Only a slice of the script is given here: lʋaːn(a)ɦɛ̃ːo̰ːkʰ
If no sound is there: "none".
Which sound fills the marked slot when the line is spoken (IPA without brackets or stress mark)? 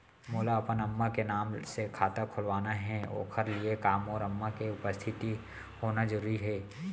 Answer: a